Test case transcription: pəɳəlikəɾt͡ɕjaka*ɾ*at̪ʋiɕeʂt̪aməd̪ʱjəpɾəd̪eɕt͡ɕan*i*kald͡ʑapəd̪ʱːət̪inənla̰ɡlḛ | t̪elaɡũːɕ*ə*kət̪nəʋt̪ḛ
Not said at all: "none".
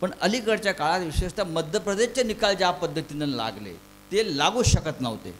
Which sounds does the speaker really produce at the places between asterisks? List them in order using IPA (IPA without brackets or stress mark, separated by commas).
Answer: ɭ, i, ə